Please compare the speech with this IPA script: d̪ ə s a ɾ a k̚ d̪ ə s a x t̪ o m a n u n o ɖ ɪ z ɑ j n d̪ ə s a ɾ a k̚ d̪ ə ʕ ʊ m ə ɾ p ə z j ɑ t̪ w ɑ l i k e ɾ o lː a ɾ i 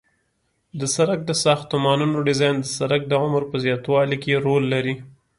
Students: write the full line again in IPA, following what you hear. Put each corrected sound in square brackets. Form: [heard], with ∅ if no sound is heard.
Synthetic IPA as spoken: d̪ ə s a ɾ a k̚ d̪ ə s [ɑ] x t̪ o m [ɑ] n u n o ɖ ɪ z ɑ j n d̪ ə s a ɾ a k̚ d̪ ə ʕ ʊ m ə ɾ p ə z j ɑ t̪ w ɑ l i k e ɾ o lː a ɾ i